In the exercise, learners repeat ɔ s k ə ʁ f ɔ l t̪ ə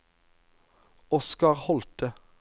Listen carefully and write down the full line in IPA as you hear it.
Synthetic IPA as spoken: ɔ s k ɑ ʁ h ɔ l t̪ ə